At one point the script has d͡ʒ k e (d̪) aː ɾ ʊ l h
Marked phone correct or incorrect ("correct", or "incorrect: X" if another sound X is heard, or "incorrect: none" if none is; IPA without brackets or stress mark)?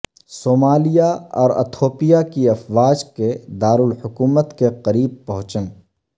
correct